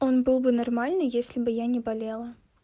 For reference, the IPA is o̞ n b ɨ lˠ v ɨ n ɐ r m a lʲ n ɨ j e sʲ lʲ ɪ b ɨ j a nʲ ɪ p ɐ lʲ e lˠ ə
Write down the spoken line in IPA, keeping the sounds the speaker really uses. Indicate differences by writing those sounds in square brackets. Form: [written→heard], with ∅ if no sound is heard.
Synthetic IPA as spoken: o̞ n b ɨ lˠ [v→b] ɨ n ɐ r m a lʲ n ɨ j e sʲ lʲ ɪ b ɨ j a nʲ ɪ [p→b] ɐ lʲ e lˠ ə